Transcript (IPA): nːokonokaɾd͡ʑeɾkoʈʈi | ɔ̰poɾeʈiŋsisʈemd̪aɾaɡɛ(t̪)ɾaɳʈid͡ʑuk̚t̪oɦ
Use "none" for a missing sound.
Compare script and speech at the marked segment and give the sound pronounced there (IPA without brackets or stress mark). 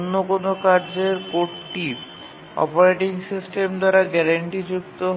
none